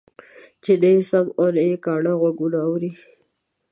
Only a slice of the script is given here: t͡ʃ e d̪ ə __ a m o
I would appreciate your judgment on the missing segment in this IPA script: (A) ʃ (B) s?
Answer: B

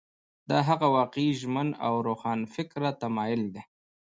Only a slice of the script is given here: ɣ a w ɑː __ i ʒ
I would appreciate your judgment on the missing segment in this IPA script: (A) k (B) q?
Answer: B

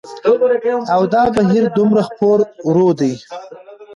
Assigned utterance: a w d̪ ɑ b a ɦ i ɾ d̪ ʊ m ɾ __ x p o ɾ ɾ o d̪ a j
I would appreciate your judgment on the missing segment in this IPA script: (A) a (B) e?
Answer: A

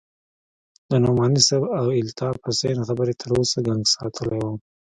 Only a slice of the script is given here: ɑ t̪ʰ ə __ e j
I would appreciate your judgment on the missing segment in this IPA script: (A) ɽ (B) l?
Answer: B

